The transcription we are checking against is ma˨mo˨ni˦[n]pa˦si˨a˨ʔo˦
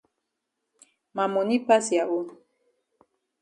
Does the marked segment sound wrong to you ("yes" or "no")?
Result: yes